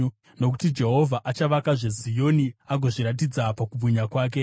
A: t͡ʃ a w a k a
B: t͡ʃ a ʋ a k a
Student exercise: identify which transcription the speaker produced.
B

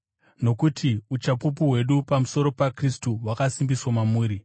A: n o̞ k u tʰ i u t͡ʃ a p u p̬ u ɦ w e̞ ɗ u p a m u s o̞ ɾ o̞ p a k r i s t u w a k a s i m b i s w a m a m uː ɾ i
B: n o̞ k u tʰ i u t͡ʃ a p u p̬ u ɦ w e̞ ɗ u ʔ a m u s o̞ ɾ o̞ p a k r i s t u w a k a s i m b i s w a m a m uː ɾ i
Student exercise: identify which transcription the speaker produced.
A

